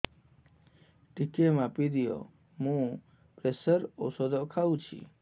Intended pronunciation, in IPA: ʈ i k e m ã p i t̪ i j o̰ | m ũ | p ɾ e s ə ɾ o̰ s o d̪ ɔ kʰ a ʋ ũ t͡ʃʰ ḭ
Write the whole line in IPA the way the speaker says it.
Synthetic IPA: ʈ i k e m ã p i d̪ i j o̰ | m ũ | p ɾ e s ə ɾ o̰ s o d̪ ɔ kʰ a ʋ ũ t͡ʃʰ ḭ